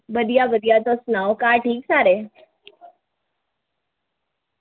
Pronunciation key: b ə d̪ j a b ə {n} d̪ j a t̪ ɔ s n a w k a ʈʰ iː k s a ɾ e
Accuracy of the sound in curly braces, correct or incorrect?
incorrect